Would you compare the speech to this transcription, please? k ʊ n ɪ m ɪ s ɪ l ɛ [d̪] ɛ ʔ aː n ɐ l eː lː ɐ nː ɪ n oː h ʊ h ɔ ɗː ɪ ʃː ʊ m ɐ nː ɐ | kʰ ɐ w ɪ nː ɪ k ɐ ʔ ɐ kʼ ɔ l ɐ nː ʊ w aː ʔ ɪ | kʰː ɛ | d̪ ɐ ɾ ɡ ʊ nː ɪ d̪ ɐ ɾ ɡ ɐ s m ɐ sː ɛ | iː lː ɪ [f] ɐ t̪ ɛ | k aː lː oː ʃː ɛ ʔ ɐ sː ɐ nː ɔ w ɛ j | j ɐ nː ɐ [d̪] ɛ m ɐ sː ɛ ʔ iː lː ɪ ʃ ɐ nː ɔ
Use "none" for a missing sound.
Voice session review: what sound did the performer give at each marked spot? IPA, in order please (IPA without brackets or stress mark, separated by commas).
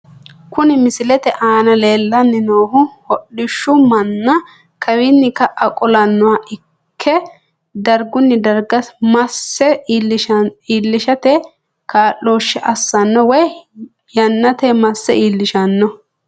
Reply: t̪, ʃ, t̪